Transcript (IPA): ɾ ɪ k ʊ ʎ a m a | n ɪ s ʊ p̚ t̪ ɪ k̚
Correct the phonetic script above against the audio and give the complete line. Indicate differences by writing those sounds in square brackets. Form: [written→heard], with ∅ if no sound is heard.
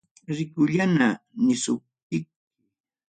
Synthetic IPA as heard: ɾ ɪ k ʊ ʎ a [m→n] a | n ɪ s ʊ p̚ t̪ ɪ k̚